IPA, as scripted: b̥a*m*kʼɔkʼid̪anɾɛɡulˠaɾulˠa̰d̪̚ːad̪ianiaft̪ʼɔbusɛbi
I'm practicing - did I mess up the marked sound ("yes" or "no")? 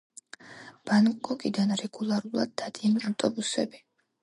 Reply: yes